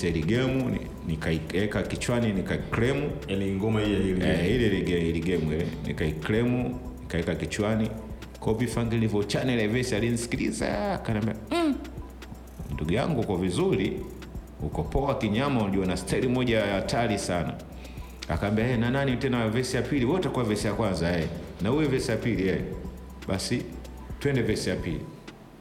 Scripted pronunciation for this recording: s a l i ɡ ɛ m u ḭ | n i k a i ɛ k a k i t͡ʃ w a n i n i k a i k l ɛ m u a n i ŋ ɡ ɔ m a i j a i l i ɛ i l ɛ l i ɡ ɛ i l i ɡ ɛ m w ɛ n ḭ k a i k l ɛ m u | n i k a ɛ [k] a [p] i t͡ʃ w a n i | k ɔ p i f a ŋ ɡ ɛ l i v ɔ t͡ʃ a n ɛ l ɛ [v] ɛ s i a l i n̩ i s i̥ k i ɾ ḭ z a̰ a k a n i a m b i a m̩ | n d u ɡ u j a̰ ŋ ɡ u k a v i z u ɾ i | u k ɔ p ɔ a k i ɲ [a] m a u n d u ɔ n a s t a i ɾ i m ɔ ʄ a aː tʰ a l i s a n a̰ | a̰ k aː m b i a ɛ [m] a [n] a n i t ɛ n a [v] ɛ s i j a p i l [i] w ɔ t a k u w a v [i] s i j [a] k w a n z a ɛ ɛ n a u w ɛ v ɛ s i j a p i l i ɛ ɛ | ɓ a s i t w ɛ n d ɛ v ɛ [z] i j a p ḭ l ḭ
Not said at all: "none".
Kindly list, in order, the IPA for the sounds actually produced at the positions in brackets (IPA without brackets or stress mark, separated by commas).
k, k, v, a, n, n, v, i, ɛ, a, s